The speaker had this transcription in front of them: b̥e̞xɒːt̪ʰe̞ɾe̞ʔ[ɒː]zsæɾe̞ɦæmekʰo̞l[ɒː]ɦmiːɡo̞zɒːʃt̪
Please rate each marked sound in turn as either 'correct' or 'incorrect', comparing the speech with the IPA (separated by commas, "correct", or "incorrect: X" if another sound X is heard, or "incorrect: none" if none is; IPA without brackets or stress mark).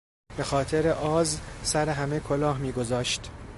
correct, correct